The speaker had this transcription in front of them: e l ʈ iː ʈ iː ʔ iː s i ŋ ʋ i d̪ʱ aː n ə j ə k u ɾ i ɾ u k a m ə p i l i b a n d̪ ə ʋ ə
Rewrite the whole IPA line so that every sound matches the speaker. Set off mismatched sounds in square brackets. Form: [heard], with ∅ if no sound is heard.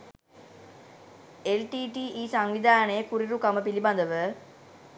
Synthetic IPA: e l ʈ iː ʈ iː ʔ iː s [a] ŋ ʋ i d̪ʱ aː n ə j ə k u ɾ i ɾ u k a m ə p i l i b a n d̪ ə ʋ ə